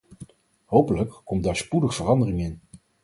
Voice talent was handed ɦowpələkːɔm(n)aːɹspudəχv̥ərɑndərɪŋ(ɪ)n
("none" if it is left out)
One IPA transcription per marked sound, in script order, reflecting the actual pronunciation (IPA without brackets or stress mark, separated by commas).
d, ɪ